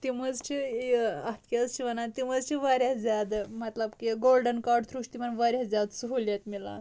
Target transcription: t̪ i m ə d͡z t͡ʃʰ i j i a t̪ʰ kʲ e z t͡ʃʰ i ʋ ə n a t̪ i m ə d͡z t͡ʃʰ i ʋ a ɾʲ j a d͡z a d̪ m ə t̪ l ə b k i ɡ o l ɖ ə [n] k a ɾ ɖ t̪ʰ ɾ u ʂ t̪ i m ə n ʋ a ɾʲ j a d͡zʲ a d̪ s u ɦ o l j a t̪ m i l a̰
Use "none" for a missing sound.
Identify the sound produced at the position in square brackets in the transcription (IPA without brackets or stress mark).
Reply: n